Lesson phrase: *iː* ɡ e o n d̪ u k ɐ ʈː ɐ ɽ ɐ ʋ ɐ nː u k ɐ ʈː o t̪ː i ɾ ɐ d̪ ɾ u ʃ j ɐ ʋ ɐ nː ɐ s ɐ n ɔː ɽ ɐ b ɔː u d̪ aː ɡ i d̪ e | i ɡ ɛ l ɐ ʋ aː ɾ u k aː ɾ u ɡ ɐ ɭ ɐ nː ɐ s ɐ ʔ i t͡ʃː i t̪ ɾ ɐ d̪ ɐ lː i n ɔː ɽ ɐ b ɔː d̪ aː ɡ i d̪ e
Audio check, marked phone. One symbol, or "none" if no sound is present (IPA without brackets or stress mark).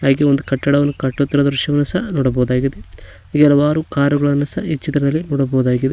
aː